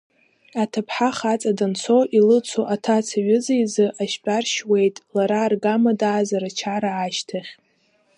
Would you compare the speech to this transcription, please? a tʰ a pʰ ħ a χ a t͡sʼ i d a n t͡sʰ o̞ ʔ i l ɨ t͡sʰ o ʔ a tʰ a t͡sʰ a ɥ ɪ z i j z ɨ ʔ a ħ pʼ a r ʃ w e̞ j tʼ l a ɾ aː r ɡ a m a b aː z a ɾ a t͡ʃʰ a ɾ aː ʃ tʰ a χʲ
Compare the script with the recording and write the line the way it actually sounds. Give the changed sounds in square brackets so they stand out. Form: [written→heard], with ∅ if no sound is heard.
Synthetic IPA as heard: a tʰ a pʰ ħ a χ a t͡sʼ [i→a] d a n t͡sʰ o̞ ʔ i l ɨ t͡sʰ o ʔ a tʰ a t͡sʰ a ɥ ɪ z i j z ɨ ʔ a [ħ→ʃ] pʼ a r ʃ w e̞ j tʼ l a ɾ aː r ɡ a m a [b→d] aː z a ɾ a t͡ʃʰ a ɾ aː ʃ tʰ a χʲ